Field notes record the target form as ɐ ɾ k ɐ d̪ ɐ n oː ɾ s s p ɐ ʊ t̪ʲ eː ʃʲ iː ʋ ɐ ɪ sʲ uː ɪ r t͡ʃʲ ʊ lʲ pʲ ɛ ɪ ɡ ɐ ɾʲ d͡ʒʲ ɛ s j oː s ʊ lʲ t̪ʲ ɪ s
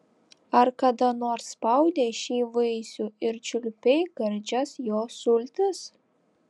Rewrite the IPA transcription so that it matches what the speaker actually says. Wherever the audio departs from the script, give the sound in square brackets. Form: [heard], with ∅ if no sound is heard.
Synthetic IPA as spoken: ɐ ɾ k ɐ d̪ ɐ n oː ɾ s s p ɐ ʊ [d̪ʲ] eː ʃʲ iː ʋ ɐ ɪ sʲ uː ɪ [ɾ] t͡ʃʲ ʊ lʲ pʲ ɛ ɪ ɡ ɐ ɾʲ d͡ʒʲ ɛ s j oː s ʊ lʲ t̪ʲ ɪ s